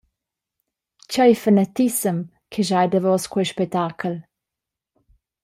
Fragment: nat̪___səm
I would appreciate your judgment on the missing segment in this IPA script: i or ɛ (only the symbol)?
i